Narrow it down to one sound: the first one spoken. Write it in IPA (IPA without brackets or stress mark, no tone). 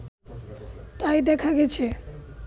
t̪